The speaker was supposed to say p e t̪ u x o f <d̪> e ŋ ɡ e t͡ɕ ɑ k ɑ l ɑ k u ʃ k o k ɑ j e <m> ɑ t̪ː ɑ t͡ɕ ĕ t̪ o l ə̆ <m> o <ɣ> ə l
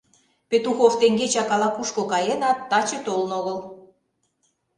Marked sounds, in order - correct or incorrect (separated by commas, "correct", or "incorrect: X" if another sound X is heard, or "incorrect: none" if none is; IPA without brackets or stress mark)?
incorrect: t̪, incorrect: n, incorrect: n, correct